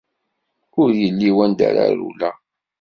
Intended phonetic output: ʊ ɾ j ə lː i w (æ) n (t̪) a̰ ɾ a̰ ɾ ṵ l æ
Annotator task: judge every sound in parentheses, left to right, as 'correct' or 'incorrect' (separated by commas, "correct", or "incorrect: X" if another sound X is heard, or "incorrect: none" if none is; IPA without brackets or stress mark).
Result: correct, incorrect: d̪